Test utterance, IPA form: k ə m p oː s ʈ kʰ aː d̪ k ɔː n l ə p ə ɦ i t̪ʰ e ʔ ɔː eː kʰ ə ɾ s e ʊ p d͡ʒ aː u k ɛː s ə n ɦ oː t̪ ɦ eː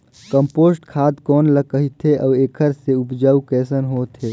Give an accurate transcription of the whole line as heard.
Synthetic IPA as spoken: k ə m p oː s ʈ kʰ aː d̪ k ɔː n l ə k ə ɦ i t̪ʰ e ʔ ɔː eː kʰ ə ɾ s e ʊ p d͡ʒ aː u k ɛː s ə n ɦ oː t̪ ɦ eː